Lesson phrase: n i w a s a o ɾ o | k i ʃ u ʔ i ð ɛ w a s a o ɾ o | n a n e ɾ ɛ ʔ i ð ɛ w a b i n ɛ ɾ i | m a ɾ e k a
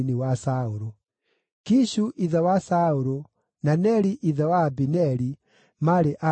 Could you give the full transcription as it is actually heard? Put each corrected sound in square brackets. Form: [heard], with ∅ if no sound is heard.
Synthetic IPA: n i w a s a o ɾ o | k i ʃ u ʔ i ð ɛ w a s a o ɾ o | n a n [ɛ] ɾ [i] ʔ i ð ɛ w a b i n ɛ ɾ i | m a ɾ e [ʔ] a